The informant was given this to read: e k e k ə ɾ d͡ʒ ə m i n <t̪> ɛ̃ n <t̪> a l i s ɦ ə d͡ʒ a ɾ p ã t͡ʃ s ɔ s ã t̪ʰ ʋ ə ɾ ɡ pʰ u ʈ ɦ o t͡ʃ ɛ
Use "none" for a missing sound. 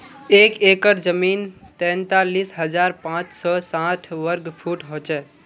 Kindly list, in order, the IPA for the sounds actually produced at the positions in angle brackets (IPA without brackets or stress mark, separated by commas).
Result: t̪, t̪